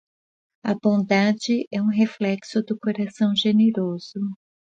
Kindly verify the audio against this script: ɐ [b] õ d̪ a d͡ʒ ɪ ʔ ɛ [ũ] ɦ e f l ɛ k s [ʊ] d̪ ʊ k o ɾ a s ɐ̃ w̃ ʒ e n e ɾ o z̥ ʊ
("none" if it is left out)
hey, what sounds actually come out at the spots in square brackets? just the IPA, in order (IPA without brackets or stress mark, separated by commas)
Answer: b, ũ, ʊ